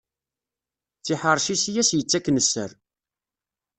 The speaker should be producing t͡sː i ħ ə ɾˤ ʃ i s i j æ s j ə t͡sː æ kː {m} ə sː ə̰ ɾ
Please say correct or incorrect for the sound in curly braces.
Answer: incorrect